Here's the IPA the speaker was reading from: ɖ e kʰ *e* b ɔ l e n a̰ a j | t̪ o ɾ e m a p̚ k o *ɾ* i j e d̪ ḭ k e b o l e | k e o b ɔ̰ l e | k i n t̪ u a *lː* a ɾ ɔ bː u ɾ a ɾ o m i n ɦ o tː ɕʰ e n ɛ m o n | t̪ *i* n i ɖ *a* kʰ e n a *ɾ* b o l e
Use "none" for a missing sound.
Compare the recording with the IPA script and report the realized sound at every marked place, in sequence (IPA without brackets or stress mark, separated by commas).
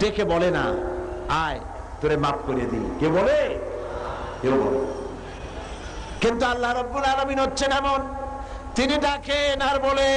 e, ɾ, lː, i, a, ɾ